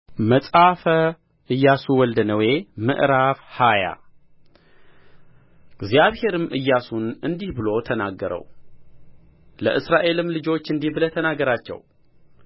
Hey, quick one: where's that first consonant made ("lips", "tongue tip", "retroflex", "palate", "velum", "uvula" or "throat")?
lips